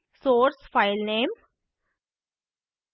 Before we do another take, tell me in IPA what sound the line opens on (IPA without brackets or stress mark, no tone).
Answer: s